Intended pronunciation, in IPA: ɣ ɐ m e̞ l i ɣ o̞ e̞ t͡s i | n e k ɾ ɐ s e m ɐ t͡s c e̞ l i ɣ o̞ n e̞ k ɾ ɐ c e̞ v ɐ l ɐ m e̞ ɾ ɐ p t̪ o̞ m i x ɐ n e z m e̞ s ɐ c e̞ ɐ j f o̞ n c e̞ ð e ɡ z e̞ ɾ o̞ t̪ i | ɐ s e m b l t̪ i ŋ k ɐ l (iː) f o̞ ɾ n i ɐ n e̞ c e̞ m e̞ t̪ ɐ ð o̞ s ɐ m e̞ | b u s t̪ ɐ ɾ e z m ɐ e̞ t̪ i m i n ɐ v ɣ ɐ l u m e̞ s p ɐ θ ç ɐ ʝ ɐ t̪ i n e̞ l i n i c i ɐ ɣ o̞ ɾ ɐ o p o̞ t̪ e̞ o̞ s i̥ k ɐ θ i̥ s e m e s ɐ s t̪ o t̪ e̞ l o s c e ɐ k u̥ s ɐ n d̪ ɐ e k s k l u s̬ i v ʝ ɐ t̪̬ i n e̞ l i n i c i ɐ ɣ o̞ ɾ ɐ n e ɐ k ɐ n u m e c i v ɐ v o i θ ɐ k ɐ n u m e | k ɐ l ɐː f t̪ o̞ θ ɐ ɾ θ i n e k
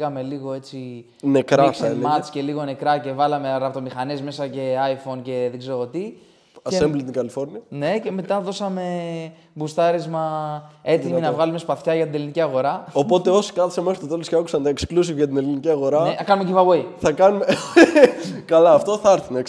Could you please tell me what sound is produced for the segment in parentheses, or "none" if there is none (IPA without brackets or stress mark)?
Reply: i